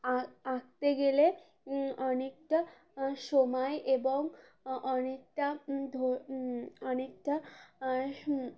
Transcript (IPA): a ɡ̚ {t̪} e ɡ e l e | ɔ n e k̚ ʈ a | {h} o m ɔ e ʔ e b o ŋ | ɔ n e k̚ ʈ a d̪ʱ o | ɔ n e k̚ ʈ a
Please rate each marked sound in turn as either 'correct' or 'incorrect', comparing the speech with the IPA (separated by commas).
correct, incorrect